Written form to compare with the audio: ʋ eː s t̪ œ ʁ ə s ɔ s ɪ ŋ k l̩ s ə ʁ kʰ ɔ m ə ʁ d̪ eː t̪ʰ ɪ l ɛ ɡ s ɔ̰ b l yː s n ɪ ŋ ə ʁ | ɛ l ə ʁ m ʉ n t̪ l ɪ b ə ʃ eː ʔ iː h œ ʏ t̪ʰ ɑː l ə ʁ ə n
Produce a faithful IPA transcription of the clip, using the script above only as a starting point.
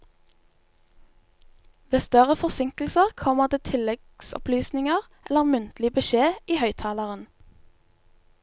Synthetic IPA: ʋ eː s t̪ œ ʁ ə f ɔ s ɪ ŋ k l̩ s ə ʁ kʰ ɔ m ə ʁ d̪ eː t̪ʰ ɪ l ɛ ɡ s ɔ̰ p l yː s n ɪ ŋ ə ʁ | ɛ l ə ʁ m ʉ n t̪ l ɪ b ə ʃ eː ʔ iː h œ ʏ t̪ʰ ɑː l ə ʁ ə n